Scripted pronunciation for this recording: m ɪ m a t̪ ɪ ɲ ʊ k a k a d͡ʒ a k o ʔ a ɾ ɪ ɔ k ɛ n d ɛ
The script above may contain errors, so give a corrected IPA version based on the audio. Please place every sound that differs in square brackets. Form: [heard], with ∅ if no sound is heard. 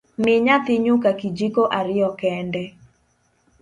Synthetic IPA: m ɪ [ɲ] a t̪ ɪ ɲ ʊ k a k [i] d͡ʒ [i] k o ʔ a ɾ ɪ ɔ k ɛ n d ɛ